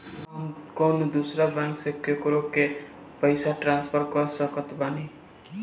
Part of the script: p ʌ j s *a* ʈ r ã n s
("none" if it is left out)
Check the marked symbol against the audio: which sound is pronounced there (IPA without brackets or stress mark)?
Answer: a